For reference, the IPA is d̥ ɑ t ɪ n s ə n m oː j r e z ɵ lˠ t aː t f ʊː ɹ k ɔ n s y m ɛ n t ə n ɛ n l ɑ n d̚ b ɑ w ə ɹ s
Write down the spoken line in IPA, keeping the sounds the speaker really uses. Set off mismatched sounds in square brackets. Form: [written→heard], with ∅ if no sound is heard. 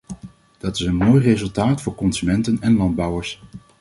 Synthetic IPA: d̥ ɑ t ɪ [n→∅] s ə n m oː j r e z ɵ lˠ t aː t f ʊː ɹ k ɔ n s y m ɛ n t ə n ɛ n l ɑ n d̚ b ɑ w ə ɹ s